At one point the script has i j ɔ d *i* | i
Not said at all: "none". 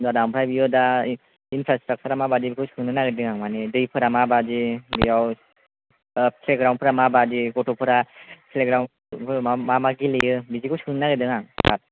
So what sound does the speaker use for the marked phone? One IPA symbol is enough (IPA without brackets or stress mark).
a